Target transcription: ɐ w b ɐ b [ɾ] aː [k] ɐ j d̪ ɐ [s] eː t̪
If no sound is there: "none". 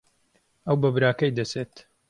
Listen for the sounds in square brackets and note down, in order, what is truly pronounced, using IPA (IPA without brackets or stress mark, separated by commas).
ɾ, k, s